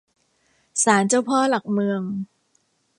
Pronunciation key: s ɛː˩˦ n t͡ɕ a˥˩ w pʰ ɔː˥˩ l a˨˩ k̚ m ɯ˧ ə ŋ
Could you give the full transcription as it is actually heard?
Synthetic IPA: s aː˩˦ n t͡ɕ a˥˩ w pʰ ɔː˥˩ l a˨˩ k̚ m ɯ˧ ə ŋ

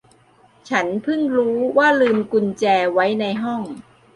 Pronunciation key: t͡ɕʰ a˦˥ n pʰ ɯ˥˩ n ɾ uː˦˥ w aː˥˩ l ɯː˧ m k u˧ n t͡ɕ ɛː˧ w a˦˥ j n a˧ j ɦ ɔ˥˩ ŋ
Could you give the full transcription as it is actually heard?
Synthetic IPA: t͡ɕʰ a˦˥ n pʰ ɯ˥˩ ŋ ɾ uː˦˥ w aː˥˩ l ɯː˧ m k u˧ n t͡ɕ ɛː˧ w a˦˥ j n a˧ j ɦ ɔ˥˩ ŋ

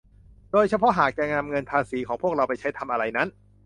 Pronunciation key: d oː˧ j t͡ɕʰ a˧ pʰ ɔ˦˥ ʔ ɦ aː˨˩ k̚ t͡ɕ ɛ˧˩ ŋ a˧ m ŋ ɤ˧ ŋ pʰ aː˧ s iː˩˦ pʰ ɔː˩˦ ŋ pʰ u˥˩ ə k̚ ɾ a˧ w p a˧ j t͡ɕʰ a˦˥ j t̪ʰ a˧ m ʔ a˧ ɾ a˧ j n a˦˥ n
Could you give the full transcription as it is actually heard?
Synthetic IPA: d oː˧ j t͡ɕʰ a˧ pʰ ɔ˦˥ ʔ ɦ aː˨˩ k̚ t͡ɕ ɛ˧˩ ŋ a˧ m ŋ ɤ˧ n pʰ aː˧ s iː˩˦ kʰ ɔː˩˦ ŋ pʰ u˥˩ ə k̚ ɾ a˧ w p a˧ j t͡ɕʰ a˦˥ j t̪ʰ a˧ m ʔ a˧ ɾ a˧ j n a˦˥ n

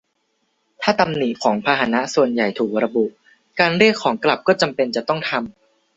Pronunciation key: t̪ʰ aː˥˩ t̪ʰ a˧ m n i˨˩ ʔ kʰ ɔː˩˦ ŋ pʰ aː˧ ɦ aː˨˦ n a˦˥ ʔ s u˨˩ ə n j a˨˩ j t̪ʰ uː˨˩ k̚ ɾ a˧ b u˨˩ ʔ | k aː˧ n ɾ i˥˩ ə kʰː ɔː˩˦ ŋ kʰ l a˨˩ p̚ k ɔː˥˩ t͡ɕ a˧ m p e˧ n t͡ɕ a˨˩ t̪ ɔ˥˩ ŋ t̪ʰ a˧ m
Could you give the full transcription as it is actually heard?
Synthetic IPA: t̪ʰ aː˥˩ t̪ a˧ m n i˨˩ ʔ kʰ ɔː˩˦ ŋ pʰ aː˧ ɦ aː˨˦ n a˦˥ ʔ s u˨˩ ə n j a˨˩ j t̪ʰ uː˨˩ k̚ ɾ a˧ b u˨˩ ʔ | k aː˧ n ɾ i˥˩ ə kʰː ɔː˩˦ ŋ k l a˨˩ p̚ k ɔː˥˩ t͡ɕ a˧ m p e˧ n t͡ɕ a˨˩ t̪ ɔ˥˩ ŋ t̪ʰ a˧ m

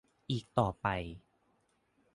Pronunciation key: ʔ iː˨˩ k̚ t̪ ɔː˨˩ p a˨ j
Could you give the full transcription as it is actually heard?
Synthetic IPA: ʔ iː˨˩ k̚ t̪ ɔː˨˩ p a˨ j

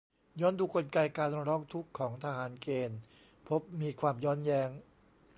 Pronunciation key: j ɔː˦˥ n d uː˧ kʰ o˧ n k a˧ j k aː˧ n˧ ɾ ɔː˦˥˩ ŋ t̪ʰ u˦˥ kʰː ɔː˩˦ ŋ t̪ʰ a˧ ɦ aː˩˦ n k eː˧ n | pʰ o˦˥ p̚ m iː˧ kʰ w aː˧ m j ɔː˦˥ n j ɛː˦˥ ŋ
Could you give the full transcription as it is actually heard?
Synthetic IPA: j ɔː˦˥ n d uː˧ k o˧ n k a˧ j k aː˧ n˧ ɾ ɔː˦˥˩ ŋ t̪ʰ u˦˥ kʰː ɔː˩˦ ŋ t̪ʰ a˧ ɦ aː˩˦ n k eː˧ n | pʰ o˦˥ p̚ m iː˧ kʰ w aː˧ m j ɔː˦˥ n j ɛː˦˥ ŋ

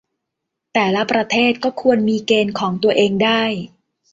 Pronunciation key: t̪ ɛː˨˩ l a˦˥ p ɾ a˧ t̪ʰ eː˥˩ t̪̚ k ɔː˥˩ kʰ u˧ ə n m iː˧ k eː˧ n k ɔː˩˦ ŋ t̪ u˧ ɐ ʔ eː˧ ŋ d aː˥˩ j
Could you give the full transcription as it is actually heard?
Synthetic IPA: t̪ ɛː˨˩ l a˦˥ p ɾ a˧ t̪ʰ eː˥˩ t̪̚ k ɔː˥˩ kʰ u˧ ə n m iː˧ k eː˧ n kʰ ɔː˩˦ ŋ t̪ u˧ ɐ ʔ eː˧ ŋ d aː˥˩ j

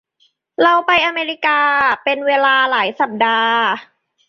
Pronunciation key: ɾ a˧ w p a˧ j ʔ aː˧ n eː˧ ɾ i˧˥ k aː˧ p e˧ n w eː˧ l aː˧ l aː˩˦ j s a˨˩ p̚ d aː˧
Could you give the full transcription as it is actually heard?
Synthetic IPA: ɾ a˧ w p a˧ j ʔ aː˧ m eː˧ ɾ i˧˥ k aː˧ p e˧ n w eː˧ l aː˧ l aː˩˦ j s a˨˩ p̚ d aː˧

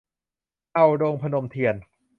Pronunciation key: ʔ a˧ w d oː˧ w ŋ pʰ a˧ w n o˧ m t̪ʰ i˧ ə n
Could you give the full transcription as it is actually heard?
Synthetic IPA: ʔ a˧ w d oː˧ ŋ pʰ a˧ n o˧ m t̪ʰ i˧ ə n

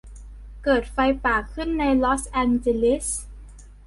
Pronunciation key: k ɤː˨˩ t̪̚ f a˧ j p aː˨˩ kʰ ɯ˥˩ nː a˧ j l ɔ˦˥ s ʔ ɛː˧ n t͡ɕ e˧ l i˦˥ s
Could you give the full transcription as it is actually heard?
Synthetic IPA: k ɤː˨˩ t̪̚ f a˧ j p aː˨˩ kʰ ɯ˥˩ nː a˧ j l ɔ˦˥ s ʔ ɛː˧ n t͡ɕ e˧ l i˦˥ s

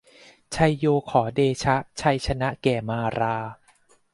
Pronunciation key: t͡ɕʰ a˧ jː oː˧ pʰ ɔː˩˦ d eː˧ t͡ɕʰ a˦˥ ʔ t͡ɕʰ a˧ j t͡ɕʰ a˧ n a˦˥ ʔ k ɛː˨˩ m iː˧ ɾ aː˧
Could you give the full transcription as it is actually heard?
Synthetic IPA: t͡ɕʰ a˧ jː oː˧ kʰ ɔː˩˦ d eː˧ t͡ɕʰ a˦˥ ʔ t͡ɕʰ a˧ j t͡ɕʰ a˧ n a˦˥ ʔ k ɛː˨˩ m aː˧ ɾ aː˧

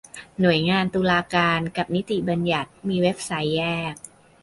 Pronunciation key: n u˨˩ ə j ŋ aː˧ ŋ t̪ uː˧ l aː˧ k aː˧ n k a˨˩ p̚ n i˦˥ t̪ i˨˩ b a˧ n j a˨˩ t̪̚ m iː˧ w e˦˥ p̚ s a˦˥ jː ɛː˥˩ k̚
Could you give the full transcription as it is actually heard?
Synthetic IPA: n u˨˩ ə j ŋ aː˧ n t̪ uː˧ l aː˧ k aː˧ n k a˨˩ p̚ n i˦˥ t̪ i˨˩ b a˧ n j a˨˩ t̪̚ m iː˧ w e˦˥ p̚ s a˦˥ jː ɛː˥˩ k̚

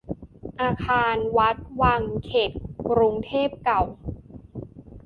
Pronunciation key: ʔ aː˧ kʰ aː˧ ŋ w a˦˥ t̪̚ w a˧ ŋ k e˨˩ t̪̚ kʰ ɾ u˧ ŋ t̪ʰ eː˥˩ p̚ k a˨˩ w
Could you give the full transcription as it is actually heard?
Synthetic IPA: ʔ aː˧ kʰ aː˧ n w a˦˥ t̪̚ w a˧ ŋ kʰ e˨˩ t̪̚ k ɾ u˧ ŋ t̪ʰ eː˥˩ p̚ k a˨˩ w

